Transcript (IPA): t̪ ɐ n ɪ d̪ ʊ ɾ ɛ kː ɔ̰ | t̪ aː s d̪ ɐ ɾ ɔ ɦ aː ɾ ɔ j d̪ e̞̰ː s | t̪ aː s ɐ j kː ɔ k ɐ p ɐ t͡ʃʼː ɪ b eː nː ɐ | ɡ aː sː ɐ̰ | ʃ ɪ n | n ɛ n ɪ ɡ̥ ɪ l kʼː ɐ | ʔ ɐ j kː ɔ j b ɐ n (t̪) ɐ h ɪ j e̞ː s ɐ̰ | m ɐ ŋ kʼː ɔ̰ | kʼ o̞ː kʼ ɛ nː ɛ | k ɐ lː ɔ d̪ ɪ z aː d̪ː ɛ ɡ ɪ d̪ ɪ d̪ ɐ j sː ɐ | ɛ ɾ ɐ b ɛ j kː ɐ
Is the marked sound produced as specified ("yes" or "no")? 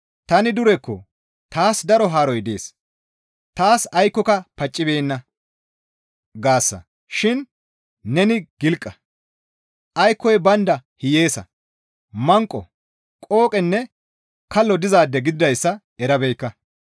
no